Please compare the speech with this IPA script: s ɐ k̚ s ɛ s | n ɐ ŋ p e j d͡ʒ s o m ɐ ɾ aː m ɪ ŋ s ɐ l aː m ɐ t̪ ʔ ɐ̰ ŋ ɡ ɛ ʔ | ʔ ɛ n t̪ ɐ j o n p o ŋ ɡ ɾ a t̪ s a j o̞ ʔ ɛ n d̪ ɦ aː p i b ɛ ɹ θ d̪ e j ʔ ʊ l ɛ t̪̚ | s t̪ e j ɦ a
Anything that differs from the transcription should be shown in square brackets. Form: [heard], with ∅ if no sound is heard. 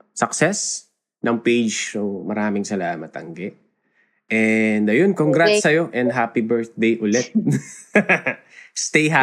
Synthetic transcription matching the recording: s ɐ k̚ s ɛ s | n ɐ ŋ p e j d͡ʒ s o m ɐ ɾ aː m ɪ ŋ s ɐ l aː m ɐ t̪ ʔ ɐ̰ ŋ ɡ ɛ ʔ | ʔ ɛ n [d̪] ɐ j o n [k] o ŋ ɡ ɾ a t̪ s [ɐ] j o̞ ʔ ɛ n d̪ ɦ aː p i b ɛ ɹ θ d̪ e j ʔ ʊ l ɛ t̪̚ | s t̪ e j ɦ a